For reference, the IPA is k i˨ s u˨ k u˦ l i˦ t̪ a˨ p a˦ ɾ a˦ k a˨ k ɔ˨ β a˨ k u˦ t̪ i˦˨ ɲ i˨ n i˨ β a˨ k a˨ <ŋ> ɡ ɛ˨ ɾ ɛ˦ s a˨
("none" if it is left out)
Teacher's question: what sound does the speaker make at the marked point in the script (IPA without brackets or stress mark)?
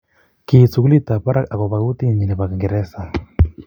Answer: ŋ